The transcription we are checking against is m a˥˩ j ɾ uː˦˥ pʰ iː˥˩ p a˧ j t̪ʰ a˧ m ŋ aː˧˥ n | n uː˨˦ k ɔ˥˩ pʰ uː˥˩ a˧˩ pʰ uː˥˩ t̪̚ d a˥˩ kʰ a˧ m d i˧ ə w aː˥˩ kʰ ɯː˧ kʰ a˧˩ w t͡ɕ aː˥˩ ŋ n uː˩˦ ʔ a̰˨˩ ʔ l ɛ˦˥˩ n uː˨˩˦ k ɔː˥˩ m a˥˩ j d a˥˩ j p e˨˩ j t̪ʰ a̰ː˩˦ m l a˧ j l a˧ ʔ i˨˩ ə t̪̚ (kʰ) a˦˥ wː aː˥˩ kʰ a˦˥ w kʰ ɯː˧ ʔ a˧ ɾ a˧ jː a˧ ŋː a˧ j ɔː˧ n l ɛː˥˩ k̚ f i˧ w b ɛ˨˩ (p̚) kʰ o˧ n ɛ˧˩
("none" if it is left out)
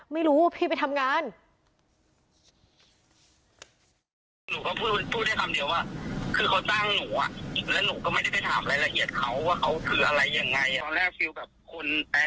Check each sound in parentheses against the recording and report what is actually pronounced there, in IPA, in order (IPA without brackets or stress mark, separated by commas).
kʰ, p̚